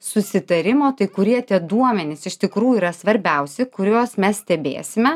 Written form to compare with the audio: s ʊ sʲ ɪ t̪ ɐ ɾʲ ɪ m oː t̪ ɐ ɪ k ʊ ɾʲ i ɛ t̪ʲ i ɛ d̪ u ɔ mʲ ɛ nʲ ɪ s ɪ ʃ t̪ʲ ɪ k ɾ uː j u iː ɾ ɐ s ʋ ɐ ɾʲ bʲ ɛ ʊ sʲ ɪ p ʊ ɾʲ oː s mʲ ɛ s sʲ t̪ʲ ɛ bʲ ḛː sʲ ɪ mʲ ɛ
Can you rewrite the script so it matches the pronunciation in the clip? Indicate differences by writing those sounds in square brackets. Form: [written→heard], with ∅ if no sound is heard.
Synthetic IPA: s ʊ sʲ ɪ t̪ ɐ ɾʲ ɪ m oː t̪ ɐ ɪ k ʊ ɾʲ i ɛ t̪ʲ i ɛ d̪ u ɔ mʲ ɛ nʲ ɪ s ɪ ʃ t̪ʲ ɪ k ɾ uː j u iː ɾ ɐ s ʋ ɐ ɾʲ bʲ ɛ ʊ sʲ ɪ [p→k] ʊ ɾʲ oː s mʲ ɛ s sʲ t̪ʲ ɛ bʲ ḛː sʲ ɪ mʲ ɛ